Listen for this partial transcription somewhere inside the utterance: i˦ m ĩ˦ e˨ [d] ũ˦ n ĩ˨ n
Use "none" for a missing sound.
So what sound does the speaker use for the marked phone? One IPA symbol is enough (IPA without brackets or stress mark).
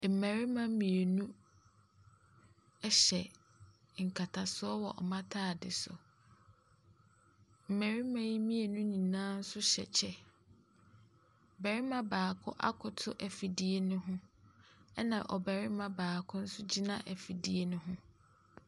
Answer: n